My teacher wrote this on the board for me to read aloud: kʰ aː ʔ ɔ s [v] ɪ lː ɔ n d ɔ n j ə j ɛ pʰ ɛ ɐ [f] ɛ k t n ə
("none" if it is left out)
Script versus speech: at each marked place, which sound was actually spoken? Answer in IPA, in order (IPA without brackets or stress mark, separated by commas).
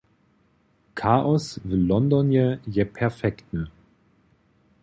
v, f